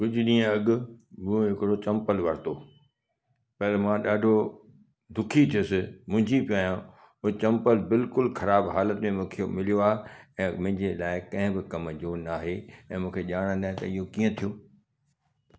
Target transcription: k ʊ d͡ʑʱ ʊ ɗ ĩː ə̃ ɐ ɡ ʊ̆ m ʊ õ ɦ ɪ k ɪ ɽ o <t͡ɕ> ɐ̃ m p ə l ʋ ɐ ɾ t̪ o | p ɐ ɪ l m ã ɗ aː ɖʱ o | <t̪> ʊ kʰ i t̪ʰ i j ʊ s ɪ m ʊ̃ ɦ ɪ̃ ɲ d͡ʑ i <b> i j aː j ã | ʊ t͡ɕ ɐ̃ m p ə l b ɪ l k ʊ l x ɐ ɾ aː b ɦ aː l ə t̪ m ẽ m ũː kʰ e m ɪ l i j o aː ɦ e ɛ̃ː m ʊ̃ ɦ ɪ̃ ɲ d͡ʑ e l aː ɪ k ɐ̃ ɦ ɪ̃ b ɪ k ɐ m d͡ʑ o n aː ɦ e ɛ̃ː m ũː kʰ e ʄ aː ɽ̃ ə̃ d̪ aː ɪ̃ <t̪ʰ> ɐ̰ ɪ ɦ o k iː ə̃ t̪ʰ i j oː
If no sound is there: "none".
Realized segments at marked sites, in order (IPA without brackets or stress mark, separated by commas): t͡ɕ, d̪, p, t̪